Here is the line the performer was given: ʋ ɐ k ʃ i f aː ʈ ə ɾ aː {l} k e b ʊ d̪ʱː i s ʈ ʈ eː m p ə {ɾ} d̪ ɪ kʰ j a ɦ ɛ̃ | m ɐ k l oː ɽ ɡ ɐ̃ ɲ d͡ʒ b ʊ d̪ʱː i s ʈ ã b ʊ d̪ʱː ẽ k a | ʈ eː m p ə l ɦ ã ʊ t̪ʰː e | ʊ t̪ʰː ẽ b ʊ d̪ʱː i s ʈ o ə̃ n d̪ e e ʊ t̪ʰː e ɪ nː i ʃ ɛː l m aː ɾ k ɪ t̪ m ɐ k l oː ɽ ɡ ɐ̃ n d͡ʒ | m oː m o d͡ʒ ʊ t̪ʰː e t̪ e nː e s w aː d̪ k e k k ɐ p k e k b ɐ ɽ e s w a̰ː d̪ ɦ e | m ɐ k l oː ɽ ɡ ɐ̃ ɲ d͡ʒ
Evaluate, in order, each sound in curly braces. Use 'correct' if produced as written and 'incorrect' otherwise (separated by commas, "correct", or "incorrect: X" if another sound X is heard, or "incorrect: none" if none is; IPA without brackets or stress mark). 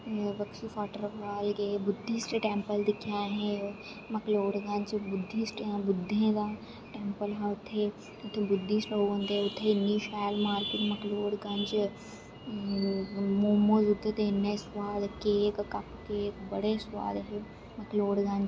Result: correct, incorrect: l